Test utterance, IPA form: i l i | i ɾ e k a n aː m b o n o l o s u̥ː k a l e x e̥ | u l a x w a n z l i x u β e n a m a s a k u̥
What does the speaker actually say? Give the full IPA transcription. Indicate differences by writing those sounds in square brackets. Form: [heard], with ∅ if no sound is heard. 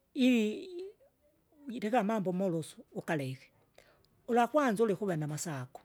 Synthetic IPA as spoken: i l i | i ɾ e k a [m] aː m b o [m] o l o s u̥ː k a l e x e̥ | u l a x w a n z l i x u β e n a m a s a k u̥